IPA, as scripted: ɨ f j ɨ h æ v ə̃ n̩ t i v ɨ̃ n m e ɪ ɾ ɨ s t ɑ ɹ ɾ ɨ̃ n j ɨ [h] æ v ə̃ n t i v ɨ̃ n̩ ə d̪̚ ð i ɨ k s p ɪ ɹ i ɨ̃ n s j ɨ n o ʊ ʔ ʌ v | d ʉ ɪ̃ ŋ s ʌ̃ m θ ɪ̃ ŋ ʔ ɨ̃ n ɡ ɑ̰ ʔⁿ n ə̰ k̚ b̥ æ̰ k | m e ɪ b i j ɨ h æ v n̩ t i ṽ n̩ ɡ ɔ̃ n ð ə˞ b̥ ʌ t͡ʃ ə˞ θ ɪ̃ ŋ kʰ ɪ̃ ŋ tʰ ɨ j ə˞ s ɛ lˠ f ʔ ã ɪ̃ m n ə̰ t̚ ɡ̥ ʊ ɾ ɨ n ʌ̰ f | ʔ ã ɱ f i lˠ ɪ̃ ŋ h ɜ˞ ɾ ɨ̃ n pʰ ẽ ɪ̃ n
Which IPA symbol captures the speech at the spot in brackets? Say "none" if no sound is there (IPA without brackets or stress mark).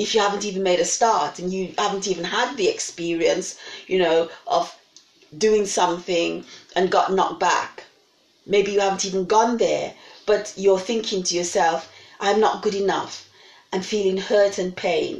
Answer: h